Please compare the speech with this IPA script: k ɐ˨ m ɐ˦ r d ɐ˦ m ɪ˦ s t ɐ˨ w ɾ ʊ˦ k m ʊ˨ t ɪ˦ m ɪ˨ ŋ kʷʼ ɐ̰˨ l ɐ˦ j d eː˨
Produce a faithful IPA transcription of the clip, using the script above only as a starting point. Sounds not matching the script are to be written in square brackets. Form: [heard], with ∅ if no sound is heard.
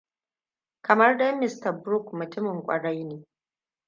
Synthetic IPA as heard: k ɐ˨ m ɐ˦ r d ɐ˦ m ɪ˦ s t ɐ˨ [b] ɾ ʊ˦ k m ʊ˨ t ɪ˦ m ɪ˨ ŋ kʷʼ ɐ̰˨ [ɽ] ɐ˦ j [n] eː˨